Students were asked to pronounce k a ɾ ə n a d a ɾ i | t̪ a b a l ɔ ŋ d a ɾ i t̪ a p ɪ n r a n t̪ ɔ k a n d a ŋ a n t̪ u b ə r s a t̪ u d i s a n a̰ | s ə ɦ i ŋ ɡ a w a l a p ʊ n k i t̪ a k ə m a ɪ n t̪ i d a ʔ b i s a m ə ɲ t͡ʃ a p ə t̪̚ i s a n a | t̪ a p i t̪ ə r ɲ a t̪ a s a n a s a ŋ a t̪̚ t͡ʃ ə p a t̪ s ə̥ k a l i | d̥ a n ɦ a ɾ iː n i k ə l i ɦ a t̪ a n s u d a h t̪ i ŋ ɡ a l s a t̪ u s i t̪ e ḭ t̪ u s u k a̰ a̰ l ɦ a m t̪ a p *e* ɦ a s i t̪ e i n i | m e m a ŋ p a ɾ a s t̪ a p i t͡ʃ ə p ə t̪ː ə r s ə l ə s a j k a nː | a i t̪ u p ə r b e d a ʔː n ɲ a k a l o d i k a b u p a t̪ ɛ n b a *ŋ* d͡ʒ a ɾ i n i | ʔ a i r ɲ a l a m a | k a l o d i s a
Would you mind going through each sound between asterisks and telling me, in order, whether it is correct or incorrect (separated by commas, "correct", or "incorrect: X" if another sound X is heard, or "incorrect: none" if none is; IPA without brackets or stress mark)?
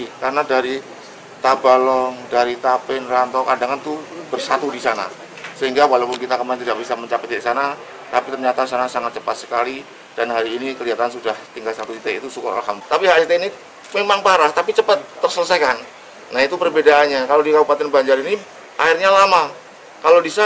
incorrect: i, incorrect: ɲ